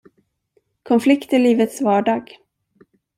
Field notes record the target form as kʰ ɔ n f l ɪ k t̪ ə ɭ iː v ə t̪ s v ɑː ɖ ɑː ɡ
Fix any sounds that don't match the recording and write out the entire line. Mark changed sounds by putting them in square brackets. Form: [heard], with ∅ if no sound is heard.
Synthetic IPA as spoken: kʰ ɔ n f l ɪ k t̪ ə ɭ iː v ə t̪ s v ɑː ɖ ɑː ɡ